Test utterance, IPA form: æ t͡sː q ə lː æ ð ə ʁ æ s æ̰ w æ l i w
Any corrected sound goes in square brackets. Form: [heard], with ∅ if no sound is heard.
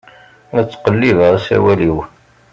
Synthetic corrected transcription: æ t͡sː q ə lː [i] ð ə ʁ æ s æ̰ w æ l i w